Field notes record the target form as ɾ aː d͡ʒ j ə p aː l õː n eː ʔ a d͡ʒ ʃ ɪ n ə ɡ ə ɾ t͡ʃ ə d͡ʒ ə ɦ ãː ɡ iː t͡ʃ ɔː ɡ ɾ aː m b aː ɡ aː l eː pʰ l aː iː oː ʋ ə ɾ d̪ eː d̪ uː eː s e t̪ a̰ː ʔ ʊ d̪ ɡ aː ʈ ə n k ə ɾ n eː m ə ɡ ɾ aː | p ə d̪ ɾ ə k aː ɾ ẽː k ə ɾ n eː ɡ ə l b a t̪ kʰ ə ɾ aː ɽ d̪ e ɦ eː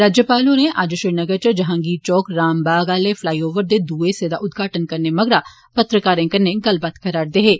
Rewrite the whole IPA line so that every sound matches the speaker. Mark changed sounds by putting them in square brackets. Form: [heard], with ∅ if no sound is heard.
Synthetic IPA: ɾ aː d͡ʒ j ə p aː l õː n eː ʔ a d͡ʒ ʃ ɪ n ə ɡ ə ɾ t͡ʃ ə d͡ʒ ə ɦ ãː ɡ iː t͡ʃ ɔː [k] ɾ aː m b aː ɡ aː l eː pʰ l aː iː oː ʋ ə ɾ d̪ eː d̪ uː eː s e [d̪] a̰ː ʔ ʊ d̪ ɡ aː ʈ ə n k ə ɾ n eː m ə ɡ ɾ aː | p ə [t̪] ɾ ə k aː ɾ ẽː k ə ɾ n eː ɡ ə l b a t̪ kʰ ə ɾ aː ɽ d̪ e ɦ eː